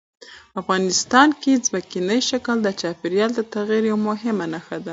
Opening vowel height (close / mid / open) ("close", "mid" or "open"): open